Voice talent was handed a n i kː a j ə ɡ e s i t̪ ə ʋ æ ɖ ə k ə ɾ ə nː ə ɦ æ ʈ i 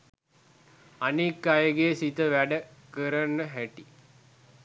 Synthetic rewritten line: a n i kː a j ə ɡ e s i t̪ ə ʋ æ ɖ ə k ə ɾ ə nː ə ɦ æ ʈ i